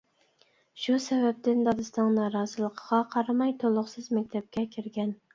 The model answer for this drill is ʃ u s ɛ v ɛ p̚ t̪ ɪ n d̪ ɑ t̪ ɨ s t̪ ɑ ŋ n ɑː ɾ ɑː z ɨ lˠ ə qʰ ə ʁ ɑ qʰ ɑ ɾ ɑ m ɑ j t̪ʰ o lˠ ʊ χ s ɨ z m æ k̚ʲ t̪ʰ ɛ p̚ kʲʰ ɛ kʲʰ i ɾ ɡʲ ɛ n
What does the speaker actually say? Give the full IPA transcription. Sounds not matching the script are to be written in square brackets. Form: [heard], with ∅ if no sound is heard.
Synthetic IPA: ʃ u s ɛ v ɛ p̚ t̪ ɪ n d̪ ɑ [d̪] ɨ s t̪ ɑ ŋ n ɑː ɾ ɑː z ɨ lˠ ə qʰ ə ʁ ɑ qʰ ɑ ɾ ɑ m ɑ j t̪ʰ o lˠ ʊ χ s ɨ z m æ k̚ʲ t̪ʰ ɛ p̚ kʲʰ ɛ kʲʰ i ɾ ɡʲ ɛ n